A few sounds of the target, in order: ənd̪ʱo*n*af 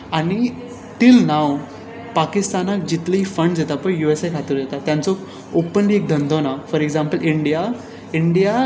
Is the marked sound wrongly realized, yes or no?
no